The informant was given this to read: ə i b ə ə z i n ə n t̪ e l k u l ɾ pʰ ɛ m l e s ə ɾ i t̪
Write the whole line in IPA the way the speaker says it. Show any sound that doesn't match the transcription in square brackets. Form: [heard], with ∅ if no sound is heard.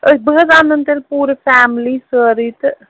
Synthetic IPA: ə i b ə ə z [a] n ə n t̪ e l [p] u [∅] ɾ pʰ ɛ m l [i] s ə ɾ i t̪